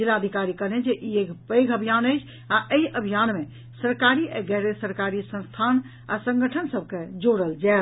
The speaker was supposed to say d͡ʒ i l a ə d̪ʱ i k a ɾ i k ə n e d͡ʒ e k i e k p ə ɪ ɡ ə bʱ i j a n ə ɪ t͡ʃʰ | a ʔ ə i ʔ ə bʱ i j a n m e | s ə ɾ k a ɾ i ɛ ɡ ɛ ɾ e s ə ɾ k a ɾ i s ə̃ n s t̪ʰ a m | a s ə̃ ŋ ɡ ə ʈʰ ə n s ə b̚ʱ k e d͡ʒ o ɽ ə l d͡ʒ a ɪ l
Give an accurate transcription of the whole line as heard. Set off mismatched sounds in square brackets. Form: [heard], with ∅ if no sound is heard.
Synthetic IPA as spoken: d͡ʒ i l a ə d̪ʱ i k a ɾ i k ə n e d͡ʒ e [ʔ] i e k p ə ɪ ɡ ə bʱ i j a n ə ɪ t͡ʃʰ | a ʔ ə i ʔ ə bʱ i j a n m e | s ə ɾ k a ɾ i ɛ ɡ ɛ ɾ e s ə ɾ k a ɾ i s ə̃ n s t̪ʰ a [n] | a s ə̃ ŋ ɡ ə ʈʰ ə n s ə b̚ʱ k e d͡ʒ o ɽ ə l d͡ʒ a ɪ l